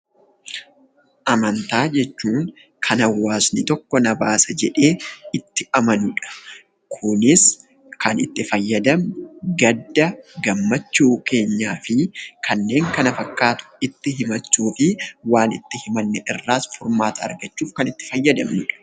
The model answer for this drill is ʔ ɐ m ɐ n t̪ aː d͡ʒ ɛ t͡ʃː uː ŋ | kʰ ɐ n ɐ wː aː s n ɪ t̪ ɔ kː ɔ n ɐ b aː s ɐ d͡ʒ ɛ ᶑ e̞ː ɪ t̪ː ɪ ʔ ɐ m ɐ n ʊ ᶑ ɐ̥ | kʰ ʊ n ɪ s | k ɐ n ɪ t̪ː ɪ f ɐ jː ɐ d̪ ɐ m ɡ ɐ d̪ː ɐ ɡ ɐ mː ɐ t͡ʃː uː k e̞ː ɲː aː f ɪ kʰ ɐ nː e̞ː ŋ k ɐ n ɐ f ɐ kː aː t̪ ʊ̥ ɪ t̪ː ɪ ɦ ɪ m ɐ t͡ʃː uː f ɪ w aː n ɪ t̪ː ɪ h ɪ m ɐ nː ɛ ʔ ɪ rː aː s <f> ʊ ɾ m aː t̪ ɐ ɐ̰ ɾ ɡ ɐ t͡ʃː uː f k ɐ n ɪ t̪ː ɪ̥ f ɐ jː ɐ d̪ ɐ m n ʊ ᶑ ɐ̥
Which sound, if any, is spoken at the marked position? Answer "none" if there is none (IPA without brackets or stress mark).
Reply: f